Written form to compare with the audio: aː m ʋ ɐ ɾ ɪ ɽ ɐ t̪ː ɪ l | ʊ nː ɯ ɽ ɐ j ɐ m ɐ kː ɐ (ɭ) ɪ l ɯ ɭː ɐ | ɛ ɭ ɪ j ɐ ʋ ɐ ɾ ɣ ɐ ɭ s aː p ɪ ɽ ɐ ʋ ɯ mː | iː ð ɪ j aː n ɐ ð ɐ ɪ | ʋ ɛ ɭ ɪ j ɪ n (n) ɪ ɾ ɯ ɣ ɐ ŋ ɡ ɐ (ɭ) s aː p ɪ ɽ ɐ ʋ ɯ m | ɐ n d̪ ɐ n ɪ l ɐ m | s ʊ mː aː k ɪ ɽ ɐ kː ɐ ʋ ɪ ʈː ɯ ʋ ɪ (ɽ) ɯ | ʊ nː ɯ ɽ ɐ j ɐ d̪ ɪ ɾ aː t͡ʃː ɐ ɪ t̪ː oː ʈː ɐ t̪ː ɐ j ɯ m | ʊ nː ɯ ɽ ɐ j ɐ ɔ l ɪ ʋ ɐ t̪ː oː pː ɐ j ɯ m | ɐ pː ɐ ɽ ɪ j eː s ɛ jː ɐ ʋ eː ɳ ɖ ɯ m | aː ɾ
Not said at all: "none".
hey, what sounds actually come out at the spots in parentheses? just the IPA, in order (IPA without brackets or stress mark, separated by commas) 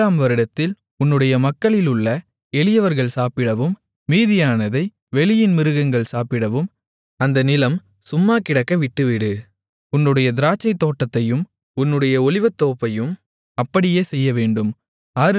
ɭ, m, ɭ, ɽ